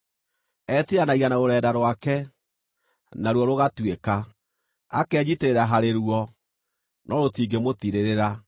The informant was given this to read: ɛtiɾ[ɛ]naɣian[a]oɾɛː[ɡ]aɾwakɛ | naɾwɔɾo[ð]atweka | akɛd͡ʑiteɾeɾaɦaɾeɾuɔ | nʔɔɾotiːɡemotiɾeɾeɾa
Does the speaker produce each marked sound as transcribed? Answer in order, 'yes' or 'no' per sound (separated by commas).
no, yes, no, no